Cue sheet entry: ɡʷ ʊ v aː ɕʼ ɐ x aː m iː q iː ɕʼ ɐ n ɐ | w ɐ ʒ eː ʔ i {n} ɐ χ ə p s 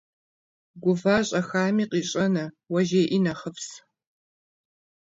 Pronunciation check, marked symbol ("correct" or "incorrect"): correct